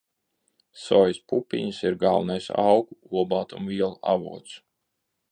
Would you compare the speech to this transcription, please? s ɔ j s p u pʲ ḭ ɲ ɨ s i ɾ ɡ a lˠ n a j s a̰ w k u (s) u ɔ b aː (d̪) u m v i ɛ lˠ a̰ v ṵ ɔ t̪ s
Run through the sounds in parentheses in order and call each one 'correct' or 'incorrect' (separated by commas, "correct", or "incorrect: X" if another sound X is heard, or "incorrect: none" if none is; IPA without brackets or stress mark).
incorrect: none, incorrect: t̪